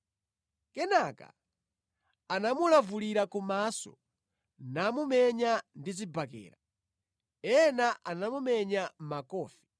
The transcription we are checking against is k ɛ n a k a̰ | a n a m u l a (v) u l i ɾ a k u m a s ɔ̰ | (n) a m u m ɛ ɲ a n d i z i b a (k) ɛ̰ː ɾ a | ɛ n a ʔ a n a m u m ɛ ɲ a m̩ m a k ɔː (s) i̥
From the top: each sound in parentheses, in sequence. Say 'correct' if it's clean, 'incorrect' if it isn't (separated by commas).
correct, correct, correct, incorrect